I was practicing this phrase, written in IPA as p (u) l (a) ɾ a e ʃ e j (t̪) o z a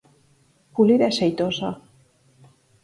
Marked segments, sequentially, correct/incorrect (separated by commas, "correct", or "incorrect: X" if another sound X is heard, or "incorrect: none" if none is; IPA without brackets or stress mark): correct, incorrect: i, correct